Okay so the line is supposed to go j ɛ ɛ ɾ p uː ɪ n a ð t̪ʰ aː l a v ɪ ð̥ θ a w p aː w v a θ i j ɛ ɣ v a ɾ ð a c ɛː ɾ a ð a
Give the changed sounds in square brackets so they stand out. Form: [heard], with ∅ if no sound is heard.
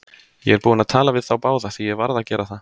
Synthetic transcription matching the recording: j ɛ ɛ ɾ p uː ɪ n a ð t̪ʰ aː l a v ɪ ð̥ θ a w p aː w [ð] a θ i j ɛ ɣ v a ɾ ð a c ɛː ɾ a [θ] a